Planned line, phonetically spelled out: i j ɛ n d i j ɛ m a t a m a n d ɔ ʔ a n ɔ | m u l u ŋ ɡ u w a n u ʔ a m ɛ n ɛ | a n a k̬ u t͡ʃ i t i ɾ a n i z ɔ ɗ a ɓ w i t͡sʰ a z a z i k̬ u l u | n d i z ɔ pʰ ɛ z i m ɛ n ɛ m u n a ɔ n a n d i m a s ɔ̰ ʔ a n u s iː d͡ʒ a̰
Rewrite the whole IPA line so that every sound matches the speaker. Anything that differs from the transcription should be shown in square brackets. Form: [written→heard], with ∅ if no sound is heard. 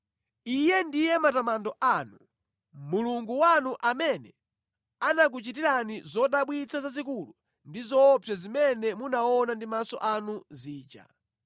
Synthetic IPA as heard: i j ɛ n d i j ɛ m a t a m a n d ɔ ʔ a n [ɔ→u] | m u l u ŋ ɡ u w a n u ʔ a m ɛ n ɛ | a n a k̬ u t͡ʃ i t i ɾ a n i z ɔ ɗ a ɓ w i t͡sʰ a z a z i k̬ u l u | n d i z ɔ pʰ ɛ z i m ɛ n ɛ m u n a ɔ n a n d i m a s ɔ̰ ʔ a n u [s→z] iː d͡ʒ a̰